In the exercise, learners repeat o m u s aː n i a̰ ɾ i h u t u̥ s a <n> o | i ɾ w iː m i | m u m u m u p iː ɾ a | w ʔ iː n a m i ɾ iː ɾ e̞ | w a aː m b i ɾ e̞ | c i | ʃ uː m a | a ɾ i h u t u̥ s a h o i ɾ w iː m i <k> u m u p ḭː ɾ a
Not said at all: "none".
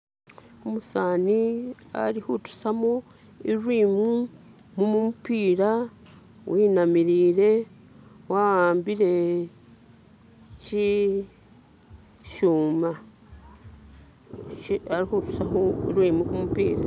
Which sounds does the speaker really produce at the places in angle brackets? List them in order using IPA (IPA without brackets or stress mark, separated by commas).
m, k